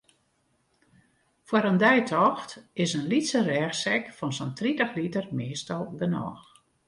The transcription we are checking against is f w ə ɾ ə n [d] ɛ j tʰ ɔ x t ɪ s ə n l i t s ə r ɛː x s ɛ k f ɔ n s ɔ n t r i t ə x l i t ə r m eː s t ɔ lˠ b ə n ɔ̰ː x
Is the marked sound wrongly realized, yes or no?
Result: no